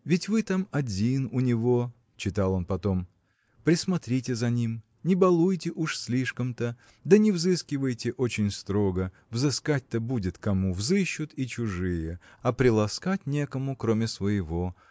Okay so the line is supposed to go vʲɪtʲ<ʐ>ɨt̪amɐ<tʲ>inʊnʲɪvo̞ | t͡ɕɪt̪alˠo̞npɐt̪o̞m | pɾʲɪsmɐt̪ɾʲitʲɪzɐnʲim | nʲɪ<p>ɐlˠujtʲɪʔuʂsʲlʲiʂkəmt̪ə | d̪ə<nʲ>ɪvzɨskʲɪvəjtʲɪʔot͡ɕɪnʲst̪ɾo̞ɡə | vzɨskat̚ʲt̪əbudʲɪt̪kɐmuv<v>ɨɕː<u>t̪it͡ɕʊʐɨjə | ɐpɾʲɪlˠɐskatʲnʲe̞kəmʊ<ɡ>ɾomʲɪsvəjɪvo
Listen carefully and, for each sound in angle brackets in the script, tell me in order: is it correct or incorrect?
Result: incorrect, incorrect, incorrect, correct, incorrect, incorrect, incorrect

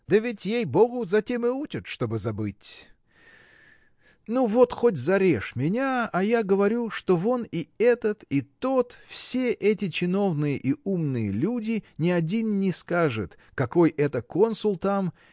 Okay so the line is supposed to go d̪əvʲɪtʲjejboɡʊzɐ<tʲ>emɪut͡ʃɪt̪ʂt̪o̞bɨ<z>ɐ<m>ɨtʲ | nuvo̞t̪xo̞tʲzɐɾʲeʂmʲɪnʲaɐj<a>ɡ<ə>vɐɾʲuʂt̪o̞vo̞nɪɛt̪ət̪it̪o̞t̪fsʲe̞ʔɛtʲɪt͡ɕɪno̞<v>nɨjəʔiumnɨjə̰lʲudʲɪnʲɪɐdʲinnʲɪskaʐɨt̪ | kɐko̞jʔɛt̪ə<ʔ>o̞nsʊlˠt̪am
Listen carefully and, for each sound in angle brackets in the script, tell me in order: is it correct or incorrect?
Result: correct, correct, incorrect, correct, correct, correct, incorrect

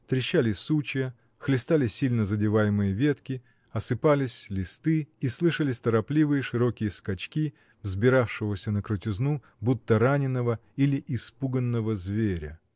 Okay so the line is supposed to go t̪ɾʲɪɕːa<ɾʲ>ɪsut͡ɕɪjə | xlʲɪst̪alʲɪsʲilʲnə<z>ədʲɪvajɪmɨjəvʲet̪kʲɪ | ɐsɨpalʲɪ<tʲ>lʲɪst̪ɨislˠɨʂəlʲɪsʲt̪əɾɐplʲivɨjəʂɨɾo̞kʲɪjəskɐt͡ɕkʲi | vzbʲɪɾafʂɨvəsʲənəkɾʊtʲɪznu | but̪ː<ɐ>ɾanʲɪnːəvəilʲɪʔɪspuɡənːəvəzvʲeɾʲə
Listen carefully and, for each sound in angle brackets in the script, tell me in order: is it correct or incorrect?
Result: incorrect, correct, incorrect, incorrect

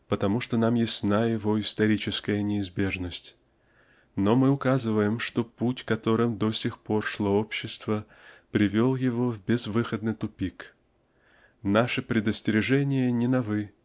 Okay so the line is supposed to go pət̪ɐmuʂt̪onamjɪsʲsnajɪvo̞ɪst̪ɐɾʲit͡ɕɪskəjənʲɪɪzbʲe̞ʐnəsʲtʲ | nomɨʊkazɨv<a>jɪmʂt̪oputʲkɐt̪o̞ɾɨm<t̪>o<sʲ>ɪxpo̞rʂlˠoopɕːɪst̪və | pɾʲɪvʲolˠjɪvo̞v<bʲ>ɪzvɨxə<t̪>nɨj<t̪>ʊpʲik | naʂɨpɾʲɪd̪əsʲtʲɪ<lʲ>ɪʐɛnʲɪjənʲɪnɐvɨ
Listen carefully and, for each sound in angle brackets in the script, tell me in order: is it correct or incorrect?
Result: incorrect, incorrect, correct, correct, incorrect, correct, incorrect

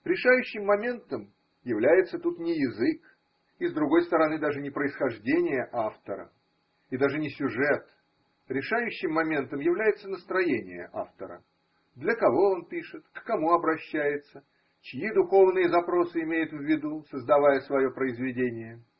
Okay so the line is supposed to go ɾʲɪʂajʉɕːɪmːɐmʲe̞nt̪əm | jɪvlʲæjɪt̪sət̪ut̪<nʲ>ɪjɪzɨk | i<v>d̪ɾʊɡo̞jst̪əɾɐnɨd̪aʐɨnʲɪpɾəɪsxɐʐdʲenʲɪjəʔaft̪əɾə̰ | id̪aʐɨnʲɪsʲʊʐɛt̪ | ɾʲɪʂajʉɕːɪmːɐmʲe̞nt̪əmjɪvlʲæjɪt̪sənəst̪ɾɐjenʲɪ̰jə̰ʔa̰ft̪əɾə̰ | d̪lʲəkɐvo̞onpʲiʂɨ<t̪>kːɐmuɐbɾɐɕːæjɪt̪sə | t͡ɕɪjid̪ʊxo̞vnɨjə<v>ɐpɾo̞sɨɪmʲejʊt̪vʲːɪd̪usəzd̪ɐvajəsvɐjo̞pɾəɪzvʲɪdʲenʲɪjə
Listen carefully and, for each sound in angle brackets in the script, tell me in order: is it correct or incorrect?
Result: correct, incorrect, correct, incorrect

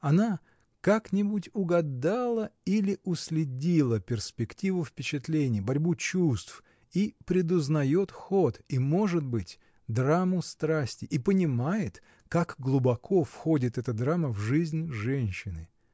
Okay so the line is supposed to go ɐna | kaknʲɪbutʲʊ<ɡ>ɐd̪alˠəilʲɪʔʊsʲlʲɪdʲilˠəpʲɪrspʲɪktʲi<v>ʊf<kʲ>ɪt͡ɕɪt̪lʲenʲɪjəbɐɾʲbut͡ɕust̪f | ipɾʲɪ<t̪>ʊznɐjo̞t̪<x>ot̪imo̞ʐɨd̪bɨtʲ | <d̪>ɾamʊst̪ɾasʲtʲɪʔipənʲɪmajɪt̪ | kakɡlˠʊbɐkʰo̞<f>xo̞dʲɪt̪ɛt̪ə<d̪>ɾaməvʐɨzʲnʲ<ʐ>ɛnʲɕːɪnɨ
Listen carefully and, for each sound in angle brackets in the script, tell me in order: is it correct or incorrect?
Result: correct, correct, incorrect, incorrect, correct, correct, correct, correct, correct

